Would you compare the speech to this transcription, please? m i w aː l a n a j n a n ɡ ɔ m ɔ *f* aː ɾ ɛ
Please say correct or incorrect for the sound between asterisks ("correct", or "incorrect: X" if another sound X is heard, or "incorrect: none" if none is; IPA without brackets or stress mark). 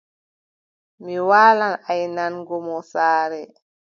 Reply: incorrect: s